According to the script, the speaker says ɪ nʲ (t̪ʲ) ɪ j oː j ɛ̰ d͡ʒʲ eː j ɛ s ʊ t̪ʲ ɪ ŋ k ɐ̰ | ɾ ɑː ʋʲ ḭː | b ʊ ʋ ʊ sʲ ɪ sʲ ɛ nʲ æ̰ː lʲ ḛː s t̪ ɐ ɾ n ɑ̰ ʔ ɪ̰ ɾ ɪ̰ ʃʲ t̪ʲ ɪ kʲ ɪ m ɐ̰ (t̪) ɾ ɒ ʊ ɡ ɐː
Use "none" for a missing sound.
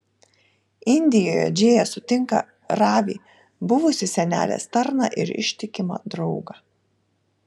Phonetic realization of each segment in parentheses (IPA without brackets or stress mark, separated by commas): d̪ʲ, d̪